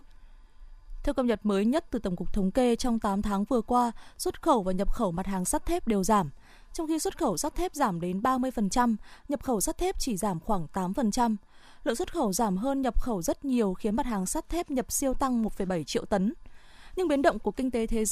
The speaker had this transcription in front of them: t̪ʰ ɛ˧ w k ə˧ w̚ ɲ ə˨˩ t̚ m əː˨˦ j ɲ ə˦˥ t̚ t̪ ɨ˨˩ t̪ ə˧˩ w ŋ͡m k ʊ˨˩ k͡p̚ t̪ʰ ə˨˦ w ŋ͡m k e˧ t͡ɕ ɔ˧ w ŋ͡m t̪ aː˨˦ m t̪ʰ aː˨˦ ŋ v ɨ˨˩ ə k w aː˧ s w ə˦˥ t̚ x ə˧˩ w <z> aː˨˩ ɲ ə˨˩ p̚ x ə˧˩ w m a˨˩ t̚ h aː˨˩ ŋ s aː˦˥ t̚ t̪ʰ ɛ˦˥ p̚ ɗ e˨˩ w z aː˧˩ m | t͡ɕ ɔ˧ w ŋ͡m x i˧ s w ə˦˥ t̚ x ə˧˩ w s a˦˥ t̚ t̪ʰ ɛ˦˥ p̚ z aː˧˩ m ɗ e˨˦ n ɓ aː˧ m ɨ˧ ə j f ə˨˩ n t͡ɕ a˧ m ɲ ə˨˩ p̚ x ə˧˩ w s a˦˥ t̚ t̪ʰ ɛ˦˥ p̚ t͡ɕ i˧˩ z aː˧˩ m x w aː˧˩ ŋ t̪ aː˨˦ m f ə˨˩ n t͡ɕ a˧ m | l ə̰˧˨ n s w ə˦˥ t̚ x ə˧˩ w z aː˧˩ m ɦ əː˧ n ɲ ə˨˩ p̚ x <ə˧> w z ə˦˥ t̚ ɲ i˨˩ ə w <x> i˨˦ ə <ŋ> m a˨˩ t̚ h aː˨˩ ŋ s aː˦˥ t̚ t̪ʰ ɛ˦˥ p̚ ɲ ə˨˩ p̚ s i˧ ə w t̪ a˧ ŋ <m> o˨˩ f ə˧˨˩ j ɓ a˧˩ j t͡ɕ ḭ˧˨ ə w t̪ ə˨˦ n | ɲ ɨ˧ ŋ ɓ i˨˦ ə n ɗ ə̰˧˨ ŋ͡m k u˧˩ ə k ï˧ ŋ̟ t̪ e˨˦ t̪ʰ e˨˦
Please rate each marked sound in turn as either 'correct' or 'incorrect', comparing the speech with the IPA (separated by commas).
incorrect, incorrect, correct, incorrect, correct